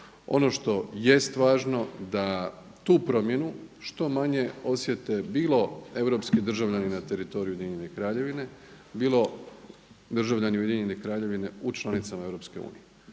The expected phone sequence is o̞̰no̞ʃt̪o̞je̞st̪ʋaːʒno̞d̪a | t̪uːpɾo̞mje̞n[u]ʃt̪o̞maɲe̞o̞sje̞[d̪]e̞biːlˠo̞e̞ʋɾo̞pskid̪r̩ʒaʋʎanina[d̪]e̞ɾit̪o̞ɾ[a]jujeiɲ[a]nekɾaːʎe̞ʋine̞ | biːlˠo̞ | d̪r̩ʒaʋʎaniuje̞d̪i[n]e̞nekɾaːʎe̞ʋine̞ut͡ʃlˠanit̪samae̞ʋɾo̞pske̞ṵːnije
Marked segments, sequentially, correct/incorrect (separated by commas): correct, incorrect, incorrect, incorrect, incorrect, incorrect